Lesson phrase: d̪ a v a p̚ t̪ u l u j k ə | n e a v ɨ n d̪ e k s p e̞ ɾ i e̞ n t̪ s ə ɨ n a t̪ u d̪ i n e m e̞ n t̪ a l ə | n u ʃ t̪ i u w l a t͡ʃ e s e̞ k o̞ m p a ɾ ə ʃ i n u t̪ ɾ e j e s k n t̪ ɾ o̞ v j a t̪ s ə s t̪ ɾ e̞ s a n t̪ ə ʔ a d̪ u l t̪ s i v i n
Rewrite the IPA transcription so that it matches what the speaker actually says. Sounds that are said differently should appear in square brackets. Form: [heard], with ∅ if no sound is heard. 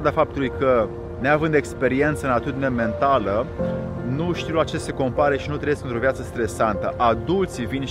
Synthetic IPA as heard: d̪ a [f] a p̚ t̪ u l u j k ə | n e a v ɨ n d̪ e k s p e̞ ɾ i e̞ n t̪ s ə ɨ n a t̪ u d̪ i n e m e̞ n t̪ a l ə | n u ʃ t̪ i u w l a t͡ʃ e s e̞ k o̞ m p a ɾ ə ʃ i n u t̪ ɾ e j e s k n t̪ ɾ o̞ v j a t̪ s ə s t̪ ɾ e̞ s a n t̪ ə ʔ a d̪ u l t̪ s i v i n